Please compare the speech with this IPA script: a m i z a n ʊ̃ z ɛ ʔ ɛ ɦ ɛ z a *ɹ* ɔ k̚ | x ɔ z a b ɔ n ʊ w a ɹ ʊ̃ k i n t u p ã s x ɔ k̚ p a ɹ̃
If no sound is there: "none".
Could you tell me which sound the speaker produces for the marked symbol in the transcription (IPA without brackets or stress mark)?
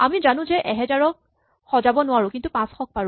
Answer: ɹ